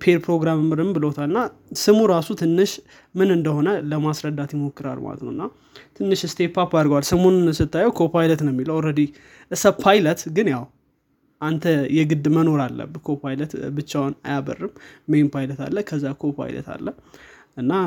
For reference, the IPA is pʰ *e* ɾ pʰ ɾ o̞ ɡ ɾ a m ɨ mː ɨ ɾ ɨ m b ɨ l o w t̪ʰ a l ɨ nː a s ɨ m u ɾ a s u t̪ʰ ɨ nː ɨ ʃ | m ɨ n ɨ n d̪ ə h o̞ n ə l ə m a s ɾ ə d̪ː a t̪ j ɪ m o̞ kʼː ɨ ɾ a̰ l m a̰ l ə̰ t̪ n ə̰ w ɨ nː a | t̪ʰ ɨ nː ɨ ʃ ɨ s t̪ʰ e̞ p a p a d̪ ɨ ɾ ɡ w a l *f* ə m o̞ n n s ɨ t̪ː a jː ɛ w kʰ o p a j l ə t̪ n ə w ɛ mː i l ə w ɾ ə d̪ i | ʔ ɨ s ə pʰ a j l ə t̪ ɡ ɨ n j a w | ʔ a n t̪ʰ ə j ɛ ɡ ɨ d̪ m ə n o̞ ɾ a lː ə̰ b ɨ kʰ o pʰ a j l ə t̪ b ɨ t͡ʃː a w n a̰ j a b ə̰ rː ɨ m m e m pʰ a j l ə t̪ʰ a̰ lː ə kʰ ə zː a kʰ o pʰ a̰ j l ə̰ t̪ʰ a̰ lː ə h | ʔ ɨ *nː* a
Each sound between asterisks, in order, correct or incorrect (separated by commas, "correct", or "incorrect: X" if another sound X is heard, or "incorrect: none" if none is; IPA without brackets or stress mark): correct, incorrect: s, correct